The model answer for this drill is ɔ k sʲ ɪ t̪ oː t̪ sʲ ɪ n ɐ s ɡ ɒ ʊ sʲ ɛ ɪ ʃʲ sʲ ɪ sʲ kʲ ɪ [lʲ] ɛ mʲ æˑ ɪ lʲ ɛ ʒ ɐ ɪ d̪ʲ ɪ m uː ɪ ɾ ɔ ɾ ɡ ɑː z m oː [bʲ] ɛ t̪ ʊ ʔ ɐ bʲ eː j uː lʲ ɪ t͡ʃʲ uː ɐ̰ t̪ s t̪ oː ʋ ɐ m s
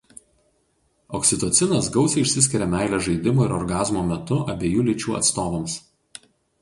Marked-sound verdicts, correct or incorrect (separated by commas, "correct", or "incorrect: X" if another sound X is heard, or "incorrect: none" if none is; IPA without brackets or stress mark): incorrect: ɾʲ, incorrect: mʲ